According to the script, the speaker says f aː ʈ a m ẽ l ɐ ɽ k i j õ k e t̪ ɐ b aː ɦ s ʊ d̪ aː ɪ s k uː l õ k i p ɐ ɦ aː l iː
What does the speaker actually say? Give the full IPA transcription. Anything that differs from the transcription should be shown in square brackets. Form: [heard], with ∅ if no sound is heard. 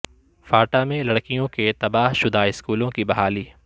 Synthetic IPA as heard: f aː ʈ a m ẽ l ɐ ɽ k i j õ k e t̪ ɐ b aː ɦ [ʃ] ʊ d̪ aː ɪ s k uː l õ k i [b] ɐ ɦ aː l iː